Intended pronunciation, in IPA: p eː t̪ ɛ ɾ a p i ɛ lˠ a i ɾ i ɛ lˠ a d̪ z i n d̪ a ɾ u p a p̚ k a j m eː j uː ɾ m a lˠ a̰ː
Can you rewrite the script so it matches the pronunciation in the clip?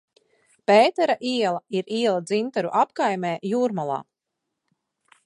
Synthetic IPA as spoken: p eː t̪ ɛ ɾ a ʔ i ɛ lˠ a i ɾ i ɛ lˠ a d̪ z i n t̪ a ɾ u ʔ a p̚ k a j m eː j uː ɾ m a lˠ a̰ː